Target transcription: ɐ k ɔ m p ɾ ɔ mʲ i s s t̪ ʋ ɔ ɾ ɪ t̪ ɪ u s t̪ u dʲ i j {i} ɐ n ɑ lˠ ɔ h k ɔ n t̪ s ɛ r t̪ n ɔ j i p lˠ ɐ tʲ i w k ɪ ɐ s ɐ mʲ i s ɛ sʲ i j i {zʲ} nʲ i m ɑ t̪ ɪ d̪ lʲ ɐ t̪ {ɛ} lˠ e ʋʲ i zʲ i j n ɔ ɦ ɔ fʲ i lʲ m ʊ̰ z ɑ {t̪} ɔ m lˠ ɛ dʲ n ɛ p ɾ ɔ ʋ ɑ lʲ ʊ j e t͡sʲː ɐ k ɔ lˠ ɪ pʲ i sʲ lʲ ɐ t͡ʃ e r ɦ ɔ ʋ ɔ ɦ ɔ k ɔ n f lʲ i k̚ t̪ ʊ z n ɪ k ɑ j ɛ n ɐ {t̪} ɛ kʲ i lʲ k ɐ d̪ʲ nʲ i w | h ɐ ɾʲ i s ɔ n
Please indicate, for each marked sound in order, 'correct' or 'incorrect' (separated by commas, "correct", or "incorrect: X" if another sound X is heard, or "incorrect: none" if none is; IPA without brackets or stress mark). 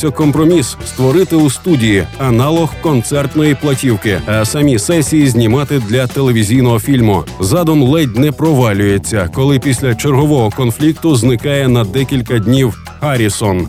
correct, correct, incorrect: e, incorrect: d̪, incorrect: d̪